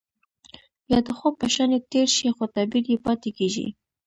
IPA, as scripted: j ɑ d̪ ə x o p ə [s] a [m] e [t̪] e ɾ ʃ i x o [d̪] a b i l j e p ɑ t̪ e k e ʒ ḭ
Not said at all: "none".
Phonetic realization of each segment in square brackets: ʃ, n, t̪, t̪

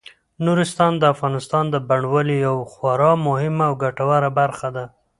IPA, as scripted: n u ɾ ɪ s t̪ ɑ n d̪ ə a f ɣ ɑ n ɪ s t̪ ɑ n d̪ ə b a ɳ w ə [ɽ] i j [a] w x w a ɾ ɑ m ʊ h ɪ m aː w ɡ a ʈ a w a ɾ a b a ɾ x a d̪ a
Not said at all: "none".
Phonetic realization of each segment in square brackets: l, a

